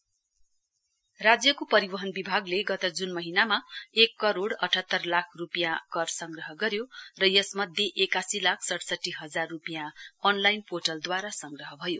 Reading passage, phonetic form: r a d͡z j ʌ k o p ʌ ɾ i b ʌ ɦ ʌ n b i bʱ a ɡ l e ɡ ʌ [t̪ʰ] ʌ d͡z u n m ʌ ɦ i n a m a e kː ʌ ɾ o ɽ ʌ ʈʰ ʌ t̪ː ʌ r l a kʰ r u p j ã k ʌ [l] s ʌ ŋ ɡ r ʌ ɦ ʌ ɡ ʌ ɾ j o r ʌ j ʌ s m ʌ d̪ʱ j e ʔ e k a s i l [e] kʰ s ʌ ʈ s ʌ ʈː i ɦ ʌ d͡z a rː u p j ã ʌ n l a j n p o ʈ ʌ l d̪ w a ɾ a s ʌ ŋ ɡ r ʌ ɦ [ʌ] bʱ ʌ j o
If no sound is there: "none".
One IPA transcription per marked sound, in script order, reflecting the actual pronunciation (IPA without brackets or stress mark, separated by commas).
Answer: t̪, r, a, ʌ